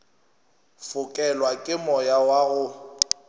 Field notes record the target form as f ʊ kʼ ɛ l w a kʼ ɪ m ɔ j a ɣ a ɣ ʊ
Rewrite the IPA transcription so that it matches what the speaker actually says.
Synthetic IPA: f ʊ kʼ ɛ l w a kʼ ɪ m ɔ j a w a ɣ ʊ